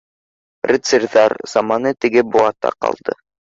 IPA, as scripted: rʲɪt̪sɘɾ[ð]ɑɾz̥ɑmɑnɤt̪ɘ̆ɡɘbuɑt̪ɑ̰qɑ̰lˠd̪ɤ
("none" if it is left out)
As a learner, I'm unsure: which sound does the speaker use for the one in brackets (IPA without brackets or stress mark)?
ð